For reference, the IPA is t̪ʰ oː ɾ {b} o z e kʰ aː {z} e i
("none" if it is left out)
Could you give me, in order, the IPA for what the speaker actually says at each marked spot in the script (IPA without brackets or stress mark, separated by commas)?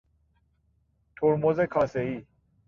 m, s